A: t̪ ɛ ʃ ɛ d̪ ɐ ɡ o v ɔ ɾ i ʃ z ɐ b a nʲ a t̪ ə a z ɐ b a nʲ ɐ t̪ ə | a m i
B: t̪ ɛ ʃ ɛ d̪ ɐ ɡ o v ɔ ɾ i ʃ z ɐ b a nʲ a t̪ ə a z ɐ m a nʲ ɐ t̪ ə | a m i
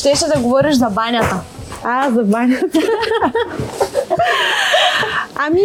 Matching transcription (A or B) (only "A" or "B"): A